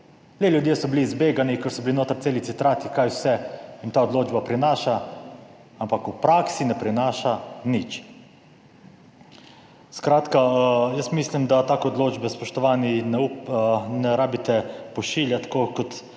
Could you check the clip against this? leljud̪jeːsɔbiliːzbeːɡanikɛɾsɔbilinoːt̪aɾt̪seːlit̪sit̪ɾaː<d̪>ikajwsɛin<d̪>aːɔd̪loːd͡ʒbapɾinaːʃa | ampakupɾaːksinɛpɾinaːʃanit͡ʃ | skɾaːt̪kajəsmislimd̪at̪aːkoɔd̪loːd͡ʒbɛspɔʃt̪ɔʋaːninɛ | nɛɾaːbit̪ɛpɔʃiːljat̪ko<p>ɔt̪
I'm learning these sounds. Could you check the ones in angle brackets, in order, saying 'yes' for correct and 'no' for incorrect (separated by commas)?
no, no, no